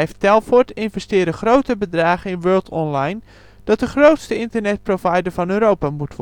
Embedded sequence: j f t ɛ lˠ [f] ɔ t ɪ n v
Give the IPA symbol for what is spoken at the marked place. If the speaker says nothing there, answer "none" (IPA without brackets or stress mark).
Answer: f